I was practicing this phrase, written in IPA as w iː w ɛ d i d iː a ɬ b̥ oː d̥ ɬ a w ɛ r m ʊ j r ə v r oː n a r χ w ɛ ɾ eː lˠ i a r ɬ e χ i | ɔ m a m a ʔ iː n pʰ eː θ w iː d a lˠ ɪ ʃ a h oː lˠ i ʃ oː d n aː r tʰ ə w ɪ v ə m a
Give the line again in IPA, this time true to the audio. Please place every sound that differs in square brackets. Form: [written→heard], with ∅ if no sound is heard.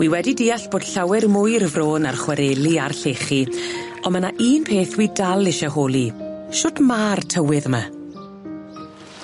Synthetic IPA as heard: w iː w ɛ d i d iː a ɬ b̥ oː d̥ ɬ a w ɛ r m ʊ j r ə v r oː n a r χ w ɛ ɾ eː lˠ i a r ɬ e χ i | ɔ m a [m→n] a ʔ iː n pʰ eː θ w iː d a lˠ ɪ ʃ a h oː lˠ i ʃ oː d [n→m] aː r tʰ ə w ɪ [v→ð] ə m a